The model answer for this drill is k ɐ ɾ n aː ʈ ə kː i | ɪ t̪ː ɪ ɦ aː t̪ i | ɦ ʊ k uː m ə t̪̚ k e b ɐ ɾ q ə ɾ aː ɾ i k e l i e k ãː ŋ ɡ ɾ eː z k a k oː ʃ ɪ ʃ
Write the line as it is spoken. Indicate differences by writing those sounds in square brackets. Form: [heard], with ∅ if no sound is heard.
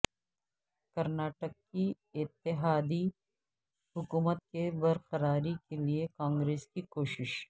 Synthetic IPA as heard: k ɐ ɾ n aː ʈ ə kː i | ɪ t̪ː ɪ ɦ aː [d̪] i | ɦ ʊ k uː m ə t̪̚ k e b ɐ ɾ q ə ɾ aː ɾ i k e l i e k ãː ŋ ɡ ɾ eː [s] k [i] k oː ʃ ɪ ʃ